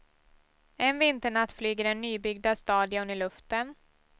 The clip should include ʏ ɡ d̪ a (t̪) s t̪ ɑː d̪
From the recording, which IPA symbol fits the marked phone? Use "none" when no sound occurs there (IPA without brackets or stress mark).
none